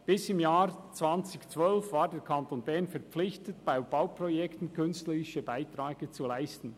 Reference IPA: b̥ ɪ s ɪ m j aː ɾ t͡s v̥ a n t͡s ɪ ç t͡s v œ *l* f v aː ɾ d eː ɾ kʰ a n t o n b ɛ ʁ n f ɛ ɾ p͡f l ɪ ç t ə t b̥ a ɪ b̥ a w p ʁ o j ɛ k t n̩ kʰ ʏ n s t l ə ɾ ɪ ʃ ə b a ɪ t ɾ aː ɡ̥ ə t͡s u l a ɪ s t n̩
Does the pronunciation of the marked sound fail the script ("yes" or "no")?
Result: no